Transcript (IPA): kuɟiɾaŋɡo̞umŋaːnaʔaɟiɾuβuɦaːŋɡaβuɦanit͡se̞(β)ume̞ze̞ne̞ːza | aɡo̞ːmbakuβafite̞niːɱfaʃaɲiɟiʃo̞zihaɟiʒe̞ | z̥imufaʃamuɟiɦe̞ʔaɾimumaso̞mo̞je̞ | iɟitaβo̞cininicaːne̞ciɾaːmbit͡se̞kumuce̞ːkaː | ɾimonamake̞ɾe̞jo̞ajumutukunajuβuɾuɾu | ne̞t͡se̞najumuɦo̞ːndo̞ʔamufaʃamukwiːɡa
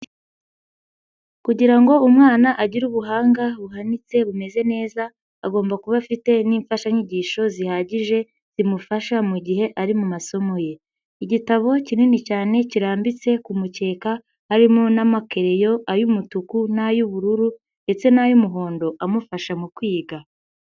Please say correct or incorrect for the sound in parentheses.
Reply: correct